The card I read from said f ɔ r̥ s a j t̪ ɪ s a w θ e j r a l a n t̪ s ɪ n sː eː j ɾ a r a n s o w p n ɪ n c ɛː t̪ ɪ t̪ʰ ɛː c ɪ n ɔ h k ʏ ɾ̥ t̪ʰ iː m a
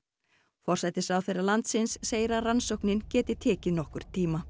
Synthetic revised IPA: f ɔ r̥ s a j t̪ ɪ s a w θ e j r a l a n t̪ s ɪ n sː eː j ɾ a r a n s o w k n ɪ n c ɛː t̪ ɪ t̪ʰ ɛː c ɪ n ɔ h k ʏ ɾ̥ t̪ʰ iː m a